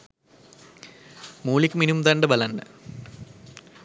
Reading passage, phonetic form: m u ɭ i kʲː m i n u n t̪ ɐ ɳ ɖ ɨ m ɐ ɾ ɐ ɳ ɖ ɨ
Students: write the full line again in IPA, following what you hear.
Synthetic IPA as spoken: m uː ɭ i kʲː m i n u m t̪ ɐ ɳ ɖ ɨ b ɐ l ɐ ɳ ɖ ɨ